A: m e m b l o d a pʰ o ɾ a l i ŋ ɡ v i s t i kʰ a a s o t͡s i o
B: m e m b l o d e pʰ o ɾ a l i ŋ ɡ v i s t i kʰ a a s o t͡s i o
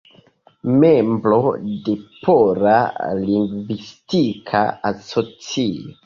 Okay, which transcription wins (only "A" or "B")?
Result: B